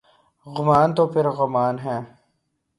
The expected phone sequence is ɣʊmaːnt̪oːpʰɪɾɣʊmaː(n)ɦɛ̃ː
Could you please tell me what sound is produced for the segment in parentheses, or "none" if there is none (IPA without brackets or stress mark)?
n